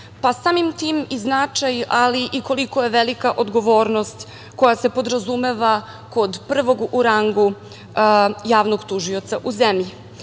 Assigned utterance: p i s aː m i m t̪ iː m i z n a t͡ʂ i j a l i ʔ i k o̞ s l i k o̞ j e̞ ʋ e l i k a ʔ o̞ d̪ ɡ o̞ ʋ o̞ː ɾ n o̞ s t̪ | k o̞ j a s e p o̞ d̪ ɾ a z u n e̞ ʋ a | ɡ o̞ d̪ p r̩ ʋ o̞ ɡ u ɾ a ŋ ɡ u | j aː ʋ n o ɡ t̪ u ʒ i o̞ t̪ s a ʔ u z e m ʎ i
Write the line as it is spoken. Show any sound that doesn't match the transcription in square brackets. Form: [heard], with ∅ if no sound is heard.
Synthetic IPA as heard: p [a] s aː m i m t̪ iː m i z n a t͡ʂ [a] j a l i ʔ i k o̞ [∅] l i k o̞ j e̞ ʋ e l i k a ʔ o̞ d̪ ɡ o̞ ʋ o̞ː ɾ n o̞ s t̪ | k o̞ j a s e p o̞ d̪ ɾ a z u [m] e̞ ʋ a | [k] o̞ d̪ p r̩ ʋ o̞ ɡ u ɾ a ŋ ɡ u | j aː ʋ n o ɡ t̪ u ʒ i o̞ t̪ s a ʔ u z e m ʎ i